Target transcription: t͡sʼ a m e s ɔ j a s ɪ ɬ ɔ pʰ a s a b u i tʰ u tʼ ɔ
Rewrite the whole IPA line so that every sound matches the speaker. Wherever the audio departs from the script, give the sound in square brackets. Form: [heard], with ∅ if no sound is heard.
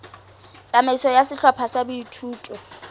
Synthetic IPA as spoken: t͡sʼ a m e s ɔ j a s ɪ ɬ ɔ pʰ a s a b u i tʰ [uː] tʼ ɔ